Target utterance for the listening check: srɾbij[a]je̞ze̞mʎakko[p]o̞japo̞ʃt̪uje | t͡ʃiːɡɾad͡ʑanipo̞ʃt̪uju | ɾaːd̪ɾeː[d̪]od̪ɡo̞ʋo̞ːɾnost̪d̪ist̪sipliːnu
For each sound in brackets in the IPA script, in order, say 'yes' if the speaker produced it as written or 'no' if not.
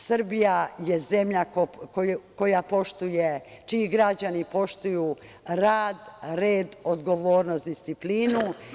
yes, no, yes

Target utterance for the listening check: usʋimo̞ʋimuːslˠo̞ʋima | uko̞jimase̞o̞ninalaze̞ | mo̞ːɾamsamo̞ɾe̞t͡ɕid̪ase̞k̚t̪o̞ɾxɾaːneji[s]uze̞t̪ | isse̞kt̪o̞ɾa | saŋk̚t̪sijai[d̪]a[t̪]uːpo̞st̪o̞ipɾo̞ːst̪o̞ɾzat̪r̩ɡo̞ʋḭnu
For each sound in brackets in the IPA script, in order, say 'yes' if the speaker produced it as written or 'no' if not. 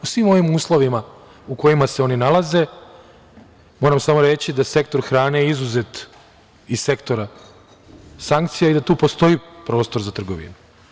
no, yes, yes

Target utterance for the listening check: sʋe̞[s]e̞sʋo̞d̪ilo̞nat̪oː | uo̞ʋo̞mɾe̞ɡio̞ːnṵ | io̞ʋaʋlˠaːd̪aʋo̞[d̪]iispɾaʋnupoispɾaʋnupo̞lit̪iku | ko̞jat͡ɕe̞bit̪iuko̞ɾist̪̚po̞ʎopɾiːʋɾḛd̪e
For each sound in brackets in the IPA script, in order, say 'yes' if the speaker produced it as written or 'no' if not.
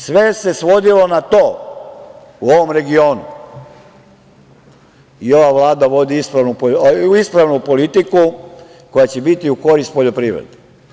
yes, yes

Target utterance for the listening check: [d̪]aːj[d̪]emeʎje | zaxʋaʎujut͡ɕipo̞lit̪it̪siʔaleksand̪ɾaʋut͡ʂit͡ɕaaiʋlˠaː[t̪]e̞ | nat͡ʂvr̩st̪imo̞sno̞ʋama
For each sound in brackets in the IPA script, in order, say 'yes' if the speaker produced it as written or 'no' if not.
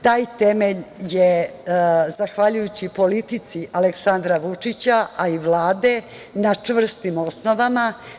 no, no, no

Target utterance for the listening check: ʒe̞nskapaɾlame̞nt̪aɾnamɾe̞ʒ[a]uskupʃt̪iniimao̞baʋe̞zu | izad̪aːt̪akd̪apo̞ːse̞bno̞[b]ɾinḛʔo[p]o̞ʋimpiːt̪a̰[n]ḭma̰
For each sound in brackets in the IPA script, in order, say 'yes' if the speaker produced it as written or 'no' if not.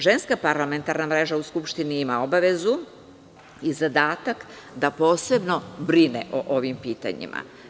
yes, yes, no, no

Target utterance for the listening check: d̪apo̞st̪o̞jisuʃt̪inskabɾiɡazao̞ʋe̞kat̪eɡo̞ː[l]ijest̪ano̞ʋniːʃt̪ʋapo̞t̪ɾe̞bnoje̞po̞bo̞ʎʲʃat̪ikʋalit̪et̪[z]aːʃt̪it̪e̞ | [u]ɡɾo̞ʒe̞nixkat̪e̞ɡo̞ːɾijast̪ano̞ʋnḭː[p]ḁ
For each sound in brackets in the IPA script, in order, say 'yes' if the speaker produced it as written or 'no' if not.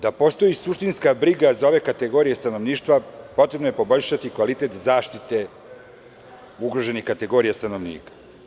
no, yes, yes, no

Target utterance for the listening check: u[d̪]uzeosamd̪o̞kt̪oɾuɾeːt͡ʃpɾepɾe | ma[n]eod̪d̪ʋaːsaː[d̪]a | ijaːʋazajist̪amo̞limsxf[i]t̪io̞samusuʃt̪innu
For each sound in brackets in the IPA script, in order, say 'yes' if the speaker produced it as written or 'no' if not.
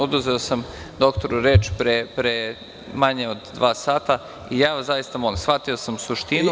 yes, no, no, no

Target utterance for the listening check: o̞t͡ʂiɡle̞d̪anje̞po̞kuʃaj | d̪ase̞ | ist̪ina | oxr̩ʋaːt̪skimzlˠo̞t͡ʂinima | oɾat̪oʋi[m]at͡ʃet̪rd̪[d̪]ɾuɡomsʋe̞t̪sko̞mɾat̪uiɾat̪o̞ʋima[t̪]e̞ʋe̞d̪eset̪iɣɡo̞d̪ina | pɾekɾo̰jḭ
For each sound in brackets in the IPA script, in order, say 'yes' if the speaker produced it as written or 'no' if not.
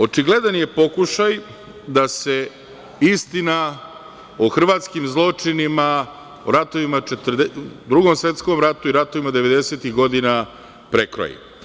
yes, yes, no

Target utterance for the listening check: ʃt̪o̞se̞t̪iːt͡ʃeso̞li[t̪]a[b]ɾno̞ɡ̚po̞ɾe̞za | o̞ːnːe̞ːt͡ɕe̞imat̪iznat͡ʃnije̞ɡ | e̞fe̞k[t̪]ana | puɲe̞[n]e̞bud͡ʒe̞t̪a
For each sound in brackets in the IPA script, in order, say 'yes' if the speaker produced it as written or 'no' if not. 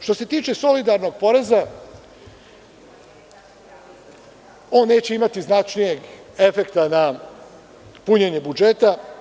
no, no, yes, no

